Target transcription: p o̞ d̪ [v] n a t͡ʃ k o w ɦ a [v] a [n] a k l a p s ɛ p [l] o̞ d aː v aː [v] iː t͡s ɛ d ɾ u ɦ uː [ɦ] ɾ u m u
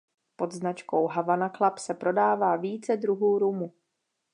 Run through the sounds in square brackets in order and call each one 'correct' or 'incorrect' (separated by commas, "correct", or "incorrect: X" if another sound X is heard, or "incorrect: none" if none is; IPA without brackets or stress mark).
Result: incorrect: z, correct, correct, incorrect: ɾ, correct, incorrect: none